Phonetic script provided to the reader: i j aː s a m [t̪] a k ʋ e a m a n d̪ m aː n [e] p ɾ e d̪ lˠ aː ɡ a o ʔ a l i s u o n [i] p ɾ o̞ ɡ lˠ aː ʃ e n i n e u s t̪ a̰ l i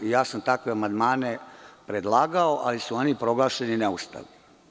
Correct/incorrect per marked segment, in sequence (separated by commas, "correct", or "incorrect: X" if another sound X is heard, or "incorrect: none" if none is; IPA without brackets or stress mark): correct, correct, correct